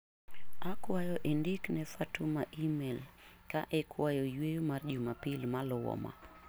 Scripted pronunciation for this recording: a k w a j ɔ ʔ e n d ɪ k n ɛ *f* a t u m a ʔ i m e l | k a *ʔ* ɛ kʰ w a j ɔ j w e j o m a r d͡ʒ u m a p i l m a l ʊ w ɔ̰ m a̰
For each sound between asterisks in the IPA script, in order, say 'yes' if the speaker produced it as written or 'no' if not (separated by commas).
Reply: yes, yes